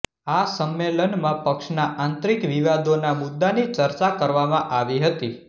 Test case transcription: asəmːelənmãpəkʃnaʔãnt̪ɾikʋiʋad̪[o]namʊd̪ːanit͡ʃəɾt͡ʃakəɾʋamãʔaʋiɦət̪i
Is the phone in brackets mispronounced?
no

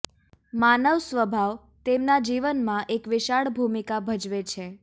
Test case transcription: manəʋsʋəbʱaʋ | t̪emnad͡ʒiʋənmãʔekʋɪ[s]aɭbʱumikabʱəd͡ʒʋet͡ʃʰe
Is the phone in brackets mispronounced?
yes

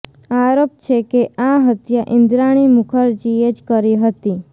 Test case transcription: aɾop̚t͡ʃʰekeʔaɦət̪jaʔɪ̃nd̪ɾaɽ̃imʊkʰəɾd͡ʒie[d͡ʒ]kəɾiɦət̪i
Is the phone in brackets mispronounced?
no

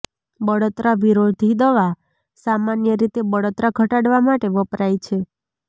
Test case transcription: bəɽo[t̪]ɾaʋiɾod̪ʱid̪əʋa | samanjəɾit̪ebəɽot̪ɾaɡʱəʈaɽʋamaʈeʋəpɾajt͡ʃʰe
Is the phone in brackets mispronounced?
no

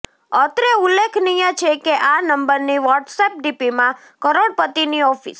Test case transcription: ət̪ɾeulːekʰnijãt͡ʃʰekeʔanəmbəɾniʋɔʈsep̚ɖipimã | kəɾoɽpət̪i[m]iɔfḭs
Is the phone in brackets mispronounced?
yes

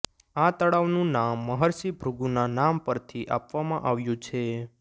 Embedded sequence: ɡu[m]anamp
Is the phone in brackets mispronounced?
yes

